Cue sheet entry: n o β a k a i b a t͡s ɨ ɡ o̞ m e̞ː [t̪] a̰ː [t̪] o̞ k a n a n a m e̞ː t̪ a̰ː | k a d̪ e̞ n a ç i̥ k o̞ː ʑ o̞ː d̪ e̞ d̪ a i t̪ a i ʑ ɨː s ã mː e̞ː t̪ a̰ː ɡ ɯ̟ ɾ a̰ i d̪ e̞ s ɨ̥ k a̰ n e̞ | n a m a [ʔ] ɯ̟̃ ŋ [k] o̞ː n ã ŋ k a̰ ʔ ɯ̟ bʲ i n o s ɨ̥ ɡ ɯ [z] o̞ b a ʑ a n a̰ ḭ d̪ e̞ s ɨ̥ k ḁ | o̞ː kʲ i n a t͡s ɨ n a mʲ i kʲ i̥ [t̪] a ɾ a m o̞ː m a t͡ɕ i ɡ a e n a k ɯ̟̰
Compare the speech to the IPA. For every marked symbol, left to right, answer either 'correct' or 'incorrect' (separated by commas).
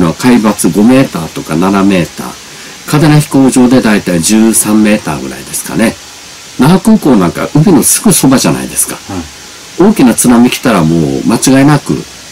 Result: correct, correct, incorrect, correct, incorrect, correct